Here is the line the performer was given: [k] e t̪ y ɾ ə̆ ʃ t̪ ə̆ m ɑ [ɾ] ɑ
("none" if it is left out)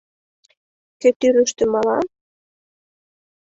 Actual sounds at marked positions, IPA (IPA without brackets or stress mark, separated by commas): k, l